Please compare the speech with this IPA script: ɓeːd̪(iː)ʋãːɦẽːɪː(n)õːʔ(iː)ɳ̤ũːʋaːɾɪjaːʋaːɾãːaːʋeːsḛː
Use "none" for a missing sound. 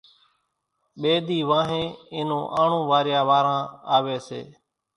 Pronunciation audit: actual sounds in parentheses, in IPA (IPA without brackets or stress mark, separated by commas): iː, n, aː